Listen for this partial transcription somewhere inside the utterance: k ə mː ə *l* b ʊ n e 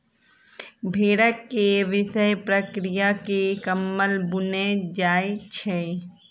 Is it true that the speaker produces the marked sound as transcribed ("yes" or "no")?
yes